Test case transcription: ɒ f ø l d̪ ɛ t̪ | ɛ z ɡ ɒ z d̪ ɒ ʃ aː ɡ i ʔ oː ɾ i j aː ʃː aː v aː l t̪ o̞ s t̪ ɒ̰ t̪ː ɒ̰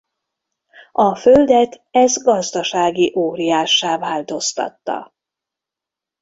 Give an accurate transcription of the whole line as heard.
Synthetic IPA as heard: ɒ f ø l d̪ ɛ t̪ | ɛ z ɡ ɒ z d̪ ɒ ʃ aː ɡ i ʔ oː ɾ i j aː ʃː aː v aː l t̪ o̞ s t̪ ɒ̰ t̪ː ɒ̰